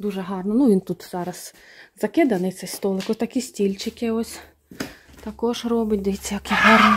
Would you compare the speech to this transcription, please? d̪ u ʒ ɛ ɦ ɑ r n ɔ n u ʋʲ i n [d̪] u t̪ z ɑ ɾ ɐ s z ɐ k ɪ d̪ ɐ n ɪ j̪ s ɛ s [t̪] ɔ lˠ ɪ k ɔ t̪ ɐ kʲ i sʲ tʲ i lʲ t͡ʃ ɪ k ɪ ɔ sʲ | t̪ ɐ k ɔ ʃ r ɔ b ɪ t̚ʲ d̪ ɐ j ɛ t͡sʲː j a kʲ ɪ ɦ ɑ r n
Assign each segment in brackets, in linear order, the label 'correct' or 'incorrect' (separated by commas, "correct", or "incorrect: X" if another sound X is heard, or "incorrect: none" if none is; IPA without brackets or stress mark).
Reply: incorrect: t̪, correct